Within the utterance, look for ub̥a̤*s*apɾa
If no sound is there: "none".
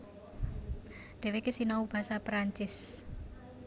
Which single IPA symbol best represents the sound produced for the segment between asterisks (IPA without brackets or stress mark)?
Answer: s